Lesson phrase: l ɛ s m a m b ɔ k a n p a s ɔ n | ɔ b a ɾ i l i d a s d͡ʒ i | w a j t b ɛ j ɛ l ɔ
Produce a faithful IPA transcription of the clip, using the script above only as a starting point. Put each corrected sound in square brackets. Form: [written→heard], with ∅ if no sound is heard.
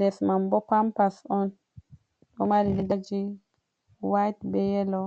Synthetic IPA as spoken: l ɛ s m a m b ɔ [k→p] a [n→m] p a s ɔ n | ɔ [b→m] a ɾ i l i d a [s→∅] d͡ʒ i | w a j t b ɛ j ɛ l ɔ